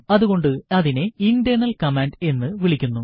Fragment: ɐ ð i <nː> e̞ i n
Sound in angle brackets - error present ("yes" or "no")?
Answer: yes